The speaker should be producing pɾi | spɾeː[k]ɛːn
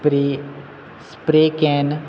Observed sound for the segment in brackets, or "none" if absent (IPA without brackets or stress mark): k